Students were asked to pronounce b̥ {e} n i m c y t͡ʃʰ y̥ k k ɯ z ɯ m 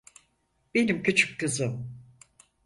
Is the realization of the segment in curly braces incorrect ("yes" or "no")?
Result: no